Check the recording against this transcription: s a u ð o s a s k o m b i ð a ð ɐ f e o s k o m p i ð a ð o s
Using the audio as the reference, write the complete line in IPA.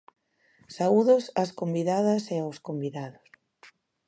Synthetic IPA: s a u ð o s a s k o m b i ð a ð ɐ s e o s k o m b i ð a ð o s